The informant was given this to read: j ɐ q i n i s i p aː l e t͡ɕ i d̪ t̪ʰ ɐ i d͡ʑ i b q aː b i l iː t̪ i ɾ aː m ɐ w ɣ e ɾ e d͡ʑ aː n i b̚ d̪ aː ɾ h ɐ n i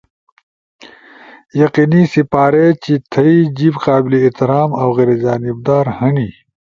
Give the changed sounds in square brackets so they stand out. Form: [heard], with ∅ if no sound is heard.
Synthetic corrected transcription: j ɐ q i n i s i p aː [ɾ] e t͡ɕ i [∅] t̪ʰ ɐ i d͡ʑ i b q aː b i l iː t̪ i ɾ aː m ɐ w ɣ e ɾ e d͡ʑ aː n i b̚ d̪ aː ɾ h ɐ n i